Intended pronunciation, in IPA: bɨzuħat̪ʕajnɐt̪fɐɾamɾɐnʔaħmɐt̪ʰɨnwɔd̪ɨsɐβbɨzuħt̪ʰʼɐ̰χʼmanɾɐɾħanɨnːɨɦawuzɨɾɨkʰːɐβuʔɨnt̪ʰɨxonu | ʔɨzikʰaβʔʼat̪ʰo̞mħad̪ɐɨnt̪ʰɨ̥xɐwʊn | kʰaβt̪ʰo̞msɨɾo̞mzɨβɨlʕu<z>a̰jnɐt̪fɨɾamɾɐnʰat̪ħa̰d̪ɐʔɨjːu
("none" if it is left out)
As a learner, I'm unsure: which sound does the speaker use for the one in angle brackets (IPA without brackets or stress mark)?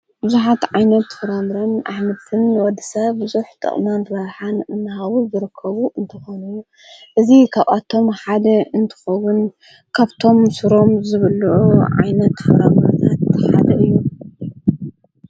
ʕ